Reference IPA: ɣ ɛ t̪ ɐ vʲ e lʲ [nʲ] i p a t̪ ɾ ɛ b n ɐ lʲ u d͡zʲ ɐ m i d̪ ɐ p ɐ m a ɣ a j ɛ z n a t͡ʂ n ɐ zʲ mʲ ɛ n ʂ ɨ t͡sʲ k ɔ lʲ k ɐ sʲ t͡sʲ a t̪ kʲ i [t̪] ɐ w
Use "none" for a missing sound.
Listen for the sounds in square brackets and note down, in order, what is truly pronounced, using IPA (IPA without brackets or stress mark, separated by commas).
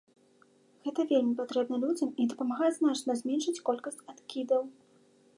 mʲ, d̪